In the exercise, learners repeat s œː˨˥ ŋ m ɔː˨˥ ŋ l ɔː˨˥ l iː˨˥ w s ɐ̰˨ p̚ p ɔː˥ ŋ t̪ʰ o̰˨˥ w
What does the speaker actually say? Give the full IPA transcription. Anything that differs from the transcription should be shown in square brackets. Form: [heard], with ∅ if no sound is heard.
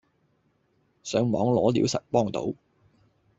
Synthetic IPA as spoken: s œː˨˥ ŋ m ɔː˨˥ ŋ l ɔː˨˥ l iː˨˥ w s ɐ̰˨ [t̚] p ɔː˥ ŋ [t̪] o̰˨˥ w